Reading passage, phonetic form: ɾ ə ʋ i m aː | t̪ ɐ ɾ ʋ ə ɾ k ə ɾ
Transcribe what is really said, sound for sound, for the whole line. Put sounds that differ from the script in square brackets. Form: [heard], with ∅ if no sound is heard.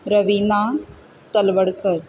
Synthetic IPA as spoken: ɾ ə ʋ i [n] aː | t̪ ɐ [l] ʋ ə [ɽ] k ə ɾ